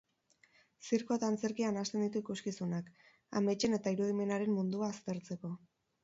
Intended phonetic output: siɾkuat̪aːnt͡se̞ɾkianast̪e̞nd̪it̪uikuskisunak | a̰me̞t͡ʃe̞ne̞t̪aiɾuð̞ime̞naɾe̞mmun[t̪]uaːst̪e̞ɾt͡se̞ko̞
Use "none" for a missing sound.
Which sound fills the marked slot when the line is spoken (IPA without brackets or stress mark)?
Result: d̪